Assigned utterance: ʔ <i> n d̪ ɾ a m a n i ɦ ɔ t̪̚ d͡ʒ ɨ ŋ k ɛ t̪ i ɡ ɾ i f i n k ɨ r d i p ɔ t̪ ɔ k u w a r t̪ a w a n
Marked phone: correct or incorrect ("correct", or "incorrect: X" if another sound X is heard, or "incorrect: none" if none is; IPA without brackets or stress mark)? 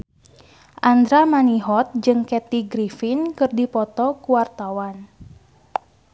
incorrect: a